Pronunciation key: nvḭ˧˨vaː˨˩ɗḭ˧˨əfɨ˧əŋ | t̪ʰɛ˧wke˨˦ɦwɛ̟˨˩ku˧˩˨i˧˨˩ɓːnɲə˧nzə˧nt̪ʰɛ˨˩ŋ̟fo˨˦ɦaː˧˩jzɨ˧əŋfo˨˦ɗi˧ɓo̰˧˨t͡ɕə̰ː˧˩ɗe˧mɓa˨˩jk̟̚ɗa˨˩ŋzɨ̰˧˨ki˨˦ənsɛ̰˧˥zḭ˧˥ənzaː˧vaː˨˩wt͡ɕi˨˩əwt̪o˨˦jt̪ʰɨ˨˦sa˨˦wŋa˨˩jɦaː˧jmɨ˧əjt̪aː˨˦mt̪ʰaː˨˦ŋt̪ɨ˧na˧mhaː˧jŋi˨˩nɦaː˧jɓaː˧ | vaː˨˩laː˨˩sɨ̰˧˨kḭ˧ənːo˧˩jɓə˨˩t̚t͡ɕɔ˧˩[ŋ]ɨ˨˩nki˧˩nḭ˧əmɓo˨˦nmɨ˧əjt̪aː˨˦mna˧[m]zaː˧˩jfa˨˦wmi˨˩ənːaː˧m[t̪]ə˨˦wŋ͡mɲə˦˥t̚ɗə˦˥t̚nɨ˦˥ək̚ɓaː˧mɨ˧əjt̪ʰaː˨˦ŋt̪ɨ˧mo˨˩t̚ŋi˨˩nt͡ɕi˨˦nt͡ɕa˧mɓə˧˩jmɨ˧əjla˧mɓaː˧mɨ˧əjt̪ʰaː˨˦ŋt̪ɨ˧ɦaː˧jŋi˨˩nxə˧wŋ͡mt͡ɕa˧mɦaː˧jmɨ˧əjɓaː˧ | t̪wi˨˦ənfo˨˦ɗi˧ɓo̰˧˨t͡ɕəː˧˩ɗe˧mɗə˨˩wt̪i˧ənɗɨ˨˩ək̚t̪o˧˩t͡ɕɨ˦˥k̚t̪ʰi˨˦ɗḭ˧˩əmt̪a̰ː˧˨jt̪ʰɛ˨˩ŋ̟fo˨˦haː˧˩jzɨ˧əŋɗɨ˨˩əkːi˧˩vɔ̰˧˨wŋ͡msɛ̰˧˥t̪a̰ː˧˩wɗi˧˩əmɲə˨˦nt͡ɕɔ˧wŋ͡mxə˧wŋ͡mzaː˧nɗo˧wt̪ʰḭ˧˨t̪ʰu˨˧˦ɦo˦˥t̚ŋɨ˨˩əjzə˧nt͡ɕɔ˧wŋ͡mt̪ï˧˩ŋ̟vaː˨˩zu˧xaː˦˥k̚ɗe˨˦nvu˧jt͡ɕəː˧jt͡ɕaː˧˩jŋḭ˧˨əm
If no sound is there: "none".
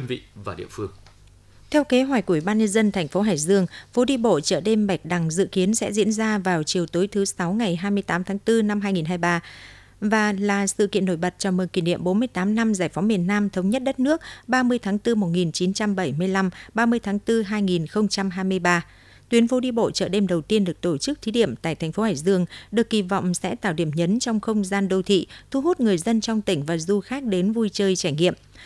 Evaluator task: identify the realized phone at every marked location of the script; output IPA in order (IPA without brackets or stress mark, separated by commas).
m, m, t̪ʰ